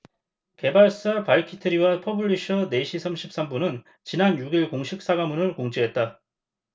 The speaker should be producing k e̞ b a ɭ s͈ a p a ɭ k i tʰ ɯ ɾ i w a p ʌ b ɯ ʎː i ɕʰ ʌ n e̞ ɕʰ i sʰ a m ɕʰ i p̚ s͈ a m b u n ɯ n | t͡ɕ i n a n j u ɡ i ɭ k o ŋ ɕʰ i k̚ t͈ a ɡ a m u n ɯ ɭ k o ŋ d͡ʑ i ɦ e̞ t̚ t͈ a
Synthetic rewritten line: k e̞ b a ɭ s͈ a p a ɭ kʰ i tʰ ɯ ɾ i w a pʰ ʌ b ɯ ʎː i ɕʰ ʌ n e̞ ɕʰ i sʰ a m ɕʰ i p̚ s͈ a m b u n ɯ n | t͡ɕ i n a n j u ɡ i ɭ k o ŋ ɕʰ i k̚ s͈ a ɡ a m u n ɯ ɭ k o ŋ d͡ʑ i ɦ e̞ t̚ t͈ a